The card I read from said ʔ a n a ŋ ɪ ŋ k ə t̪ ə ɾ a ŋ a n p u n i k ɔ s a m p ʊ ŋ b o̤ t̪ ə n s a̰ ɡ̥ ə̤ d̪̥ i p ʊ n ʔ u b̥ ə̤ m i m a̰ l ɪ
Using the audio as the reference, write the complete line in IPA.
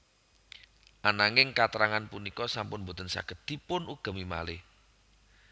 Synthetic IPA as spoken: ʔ a n a ŋ ɪ ŋ k a t̪ ə ɾ a ŋ a n p u n i k ɔ s a m p ʊ n b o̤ t̪ ə n s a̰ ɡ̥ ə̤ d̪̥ i p ʊ n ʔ u ɡ̥ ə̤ m i m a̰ l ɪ